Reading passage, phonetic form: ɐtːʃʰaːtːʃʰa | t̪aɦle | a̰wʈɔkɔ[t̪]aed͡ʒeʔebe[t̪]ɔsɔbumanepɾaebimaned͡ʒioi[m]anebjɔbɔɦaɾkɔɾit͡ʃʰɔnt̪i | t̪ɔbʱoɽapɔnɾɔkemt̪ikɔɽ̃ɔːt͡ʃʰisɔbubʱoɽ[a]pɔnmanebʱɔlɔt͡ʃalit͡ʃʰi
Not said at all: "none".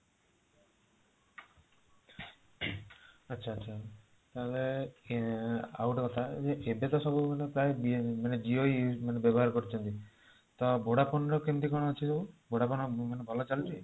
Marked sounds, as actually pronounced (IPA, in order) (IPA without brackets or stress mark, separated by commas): t̪ʰ, t̪, m, a